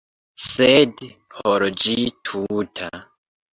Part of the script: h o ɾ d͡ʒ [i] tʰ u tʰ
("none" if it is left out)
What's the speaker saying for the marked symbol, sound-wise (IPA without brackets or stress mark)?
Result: i